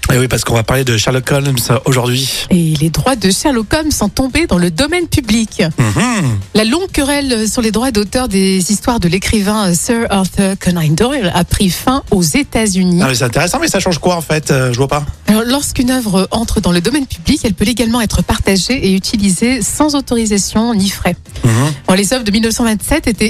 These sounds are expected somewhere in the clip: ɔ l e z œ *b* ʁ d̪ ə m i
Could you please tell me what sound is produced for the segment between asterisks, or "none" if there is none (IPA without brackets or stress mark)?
v